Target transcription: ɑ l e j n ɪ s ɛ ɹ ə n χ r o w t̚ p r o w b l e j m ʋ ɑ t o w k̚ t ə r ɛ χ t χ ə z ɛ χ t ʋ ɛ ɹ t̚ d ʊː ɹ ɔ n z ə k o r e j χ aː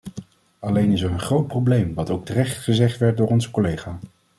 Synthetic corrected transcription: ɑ l e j n ɪ s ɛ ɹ ə n χ r o w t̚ p r o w b l e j m ʋ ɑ t o w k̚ t ə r ɛ χ t χ ə z ɛ χ t ʋ ɛ ɹ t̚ d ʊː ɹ ɔ n z ə k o l e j χ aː

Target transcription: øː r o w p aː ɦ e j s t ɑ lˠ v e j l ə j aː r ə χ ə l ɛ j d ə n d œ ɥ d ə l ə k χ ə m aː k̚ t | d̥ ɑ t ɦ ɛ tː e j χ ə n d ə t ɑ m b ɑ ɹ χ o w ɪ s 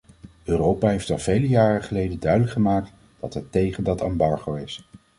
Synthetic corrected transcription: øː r o w p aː ɦ e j f t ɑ lˠ v e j l ə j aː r ə χ ə l e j d ə n d œ ɥ d ə l ə k χ ə m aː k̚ t | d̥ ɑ t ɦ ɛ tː e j χ ə n d ɑ t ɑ m b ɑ ɹ χ o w ɪ s

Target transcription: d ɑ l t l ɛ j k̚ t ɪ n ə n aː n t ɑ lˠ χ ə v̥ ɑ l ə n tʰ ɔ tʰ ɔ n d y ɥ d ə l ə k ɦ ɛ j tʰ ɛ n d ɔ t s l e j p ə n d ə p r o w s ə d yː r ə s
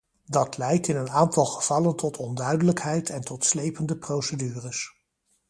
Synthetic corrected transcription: d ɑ t l ɛ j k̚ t ɪ n ə n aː n t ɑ lˠ χ ə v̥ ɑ l ə n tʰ ɔ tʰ ɔ n d œ ɥ d ə l ə k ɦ ɛ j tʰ ɛ n t ɔ t s l e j p ə n d ə p r o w s ə d yː r ə s

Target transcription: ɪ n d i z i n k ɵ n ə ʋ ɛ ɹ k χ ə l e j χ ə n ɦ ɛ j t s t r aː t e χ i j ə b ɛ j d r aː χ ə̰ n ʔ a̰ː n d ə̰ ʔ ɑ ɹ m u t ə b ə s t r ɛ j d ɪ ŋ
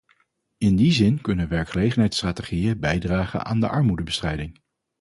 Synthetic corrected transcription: ɪ n d i z ɪ n k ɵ n ə ʋ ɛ ɹ k χ ə l e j χ ə n ɦ ɛ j t s t r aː t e χ i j ə b ɛ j d r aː χ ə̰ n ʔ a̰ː n d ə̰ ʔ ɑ ɹ m u d ə b ə s t r ɛ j d ɪ ŋ

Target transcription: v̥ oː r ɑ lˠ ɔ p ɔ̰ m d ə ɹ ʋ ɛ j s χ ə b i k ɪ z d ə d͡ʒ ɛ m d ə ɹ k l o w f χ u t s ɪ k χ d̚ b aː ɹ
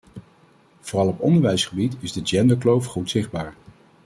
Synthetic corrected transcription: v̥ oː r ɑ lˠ ɔ p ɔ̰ n d ə ɹ ʋ ɛ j s χ ə b i t ɪ z d ə d͡ʒ ɛ n d ə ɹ k l o w f χ u t s ɪ χ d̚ b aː ɹ

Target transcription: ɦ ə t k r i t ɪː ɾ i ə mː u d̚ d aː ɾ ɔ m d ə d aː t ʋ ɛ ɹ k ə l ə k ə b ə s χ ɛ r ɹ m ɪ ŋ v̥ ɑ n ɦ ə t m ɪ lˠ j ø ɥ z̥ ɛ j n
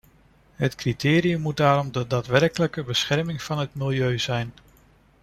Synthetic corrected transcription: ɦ ə t k r i t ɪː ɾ i ə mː u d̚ d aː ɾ ɔ m d ə d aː t ʋ ɛ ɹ k ə l ə k ə b ə s χ ɛ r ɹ m ɪ ŋ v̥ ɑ n ɦ ə t m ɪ lˠ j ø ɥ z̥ ɛ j n

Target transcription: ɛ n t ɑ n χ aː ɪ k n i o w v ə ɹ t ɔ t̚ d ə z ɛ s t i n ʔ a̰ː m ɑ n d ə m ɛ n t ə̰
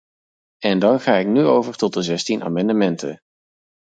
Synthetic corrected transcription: ɛ n d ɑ n χ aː ɪ k n y o w v ə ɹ t ɔ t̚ d ə z ɛ s t i n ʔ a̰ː m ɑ n d ə m ɛ n t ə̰

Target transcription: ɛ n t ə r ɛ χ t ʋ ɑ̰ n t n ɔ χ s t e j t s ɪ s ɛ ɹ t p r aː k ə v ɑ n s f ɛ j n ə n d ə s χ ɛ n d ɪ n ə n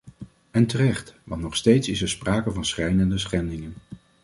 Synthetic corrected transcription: ɛ n t ə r ɛ χ t ʋ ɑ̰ n t n ɔ χ s t e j t s ɪ s ɛ ɹ s p r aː k ə v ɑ n s χ ɛ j n ə n d ə s χ ɛ n d ɪ ŋ ə n

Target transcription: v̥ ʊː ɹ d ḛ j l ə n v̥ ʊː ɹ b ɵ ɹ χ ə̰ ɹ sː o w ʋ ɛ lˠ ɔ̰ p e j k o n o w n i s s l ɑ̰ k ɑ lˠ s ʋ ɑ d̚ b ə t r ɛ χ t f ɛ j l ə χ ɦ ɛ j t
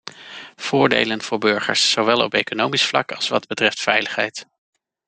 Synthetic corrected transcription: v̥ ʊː ɹ d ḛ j l ə n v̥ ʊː ɹ b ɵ ɹ χ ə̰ ɹ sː o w ʋ ɛ lˠ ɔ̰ p e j k o n o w m i s f l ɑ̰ k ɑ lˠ s ʋ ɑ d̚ b ə t r ɛ f t f ɛ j l ə χ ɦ ɛ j t

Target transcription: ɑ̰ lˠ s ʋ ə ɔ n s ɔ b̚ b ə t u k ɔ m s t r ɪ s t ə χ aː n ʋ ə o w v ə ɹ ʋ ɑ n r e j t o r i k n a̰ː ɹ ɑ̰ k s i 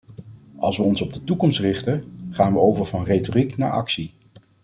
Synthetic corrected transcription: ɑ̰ lˠ s ʋ ə ɔ n s ɔ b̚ d ə t u k ɔ m s t r ɪ χ t ə χ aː n ʋ ə o w v ə ɹ v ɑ n r e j t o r i k n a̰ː ɹ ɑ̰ k s i

